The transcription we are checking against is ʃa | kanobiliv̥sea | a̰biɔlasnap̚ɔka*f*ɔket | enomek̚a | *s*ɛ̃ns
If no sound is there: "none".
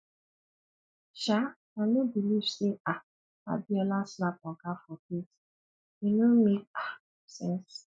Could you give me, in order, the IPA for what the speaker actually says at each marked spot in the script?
f, s

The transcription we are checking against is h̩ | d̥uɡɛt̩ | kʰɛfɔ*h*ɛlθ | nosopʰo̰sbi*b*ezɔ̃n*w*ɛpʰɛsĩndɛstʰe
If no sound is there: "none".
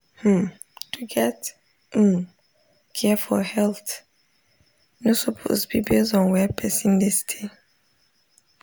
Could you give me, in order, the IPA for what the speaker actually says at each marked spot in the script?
h, b, w

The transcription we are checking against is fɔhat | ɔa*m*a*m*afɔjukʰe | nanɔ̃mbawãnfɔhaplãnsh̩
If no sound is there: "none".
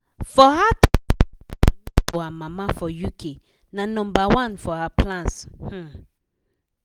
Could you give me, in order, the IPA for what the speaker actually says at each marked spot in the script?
m, m

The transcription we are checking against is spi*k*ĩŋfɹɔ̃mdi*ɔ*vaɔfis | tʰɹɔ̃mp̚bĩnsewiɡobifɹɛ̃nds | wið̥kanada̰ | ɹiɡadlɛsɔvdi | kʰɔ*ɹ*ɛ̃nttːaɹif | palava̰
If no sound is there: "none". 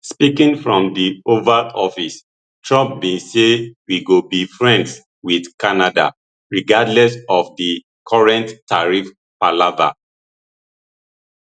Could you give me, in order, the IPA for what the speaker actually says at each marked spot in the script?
k, o, ɹ

